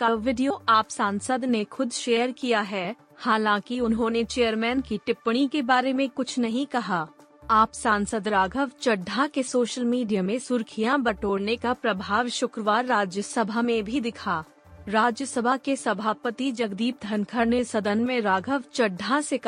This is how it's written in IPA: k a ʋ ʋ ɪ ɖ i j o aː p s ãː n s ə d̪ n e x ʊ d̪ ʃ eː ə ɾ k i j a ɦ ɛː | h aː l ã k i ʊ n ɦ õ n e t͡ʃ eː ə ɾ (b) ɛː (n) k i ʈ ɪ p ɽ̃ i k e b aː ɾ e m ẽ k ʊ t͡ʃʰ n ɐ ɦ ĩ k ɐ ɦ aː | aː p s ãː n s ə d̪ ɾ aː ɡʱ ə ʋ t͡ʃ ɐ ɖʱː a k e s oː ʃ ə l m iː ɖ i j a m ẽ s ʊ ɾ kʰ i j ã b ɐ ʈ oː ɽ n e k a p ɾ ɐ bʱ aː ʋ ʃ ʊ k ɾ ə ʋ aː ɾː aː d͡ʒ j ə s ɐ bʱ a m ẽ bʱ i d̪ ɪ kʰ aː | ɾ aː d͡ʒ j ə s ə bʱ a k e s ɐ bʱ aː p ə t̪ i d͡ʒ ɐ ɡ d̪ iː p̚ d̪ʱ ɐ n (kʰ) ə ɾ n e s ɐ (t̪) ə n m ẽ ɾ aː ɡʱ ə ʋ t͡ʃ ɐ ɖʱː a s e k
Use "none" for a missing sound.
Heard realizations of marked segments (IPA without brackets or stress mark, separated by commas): m, n, kʰ, d̪